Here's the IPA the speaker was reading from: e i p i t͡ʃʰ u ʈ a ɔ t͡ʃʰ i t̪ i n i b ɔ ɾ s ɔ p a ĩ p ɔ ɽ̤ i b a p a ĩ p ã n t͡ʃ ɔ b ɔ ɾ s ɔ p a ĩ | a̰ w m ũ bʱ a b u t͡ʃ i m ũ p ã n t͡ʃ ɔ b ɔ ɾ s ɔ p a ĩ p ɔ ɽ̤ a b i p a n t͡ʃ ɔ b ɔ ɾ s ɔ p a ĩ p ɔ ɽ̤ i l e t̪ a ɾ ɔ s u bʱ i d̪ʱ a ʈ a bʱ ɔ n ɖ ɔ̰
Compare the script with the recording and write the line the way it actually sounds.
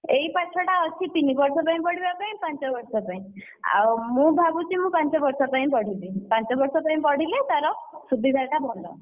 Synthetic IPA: e i p a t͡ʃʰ ɔ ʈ a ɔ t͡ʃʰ i t̪ i n i b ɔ ɾ s ɔ p a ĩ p ɔ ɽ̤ i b a p a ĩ p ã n t͡ʃ ɔ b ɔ ɾ s ɔ p a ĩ | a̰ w m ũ bʱ a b u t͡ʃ i m ũ p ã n t͡ʃ ɔ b ɔ ɾ s ɔ p a ĩ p ɔ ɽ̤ i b i p a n t͡ʃ ɔ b ɔ ɾ s ɔ p a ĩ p ɔ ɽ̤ i l e t̪ a ɾ ɔ s u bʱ i d̪ʱ a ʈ a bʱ ɔ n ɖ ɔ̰